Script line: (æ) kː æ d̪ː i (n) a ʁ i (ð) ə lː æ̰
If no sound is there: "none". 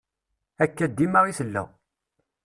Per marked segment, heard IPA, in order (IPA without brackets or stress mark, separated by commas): æ, m, θ